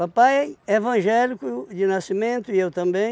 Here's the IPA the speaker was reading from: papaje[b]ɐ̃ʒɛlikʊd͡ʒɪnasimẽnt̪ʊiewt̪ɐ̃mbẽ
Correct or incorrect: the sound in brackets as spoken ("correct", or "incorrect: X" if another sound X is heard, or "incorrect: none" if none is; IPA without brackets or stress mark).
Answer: incorrect: v